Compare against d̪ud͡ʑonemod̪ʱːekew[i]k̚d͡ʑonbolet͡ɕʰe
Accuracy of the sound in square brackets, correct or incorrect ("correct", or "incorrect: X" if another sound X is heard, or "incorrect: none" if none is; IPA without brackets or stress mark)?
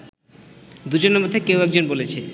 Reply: incorrect: ɛ